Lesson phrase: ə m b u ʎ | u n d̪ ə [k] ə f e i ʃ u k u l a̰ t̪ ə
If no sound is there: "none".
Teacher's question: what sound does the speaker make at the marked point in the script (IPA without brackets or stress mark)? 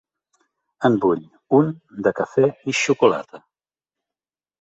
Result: k